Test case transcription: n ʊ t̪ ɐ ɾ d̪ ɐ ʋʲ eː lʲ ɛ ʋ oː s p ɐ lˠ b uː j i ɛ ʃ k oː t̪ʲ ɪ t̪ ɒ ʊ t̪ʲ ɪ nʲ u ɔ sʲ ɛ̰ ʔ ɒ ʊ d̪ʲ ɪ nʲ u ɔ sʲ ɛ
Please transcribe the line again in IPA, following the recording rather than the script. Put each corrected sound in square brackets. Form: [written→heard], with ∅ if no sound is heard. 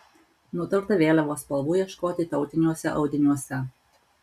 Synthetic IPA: n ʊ t̪ ɐ ɾ [d̪→t̪] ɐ ʋʲ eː lʲ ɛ ʋ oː s p ɐ lˠ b uː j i ɛ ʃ k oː t̪ʲ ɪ t̪ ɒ ʊ t̪ʲ ɪ nʲ u ɔ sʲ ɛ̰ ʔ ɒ ʊ d̪ʲ ɪ nʲ u ɔ sʲ ɛ